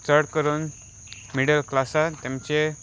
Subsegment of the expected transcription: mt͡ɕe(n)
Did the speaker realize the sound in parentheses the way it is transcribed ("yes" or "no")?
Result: no